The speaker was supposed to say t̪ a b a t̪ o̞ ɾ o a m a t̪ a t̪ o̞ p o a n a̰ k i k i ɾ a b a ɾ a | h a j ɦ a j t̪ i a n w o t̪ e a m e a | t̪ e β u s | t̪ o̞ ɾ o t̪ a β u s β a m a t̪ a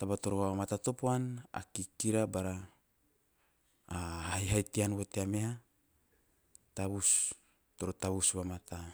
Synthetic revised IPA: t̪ a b a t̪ o̞ ɾ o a m a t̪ a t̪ o̞ p o a n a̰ k i k i ɾ a b a ɾ a | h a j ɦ a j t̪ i a n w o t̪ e a m e a | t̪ a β u s | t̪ o̞ ɾ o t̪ a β u s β a m a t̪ a